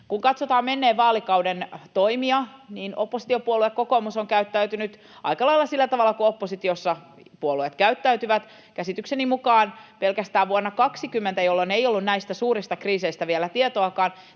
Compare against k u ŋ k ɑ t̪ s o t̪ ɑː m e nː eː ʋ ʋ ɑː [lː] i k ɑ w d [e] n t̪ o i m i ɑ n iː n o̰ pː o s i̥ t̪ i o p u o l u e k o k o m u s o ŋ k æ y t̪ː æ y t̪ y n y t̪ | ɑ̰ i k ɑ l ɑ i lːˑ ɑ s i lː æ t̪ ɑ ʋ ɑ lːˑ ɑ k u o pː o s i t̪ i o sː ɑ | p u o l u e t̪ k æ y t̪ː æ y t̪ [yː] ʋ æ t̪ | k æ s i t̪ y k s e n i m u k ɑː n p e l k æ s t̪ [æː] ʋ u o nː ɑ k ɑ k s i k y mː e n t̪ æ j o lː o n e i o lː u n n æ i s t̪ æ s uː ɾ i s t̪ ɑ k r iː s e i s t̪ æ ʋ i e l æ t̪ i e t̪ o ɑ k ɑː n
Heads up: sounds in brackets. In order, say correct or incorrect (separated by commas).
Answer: incorrect, correct, incorrect, correct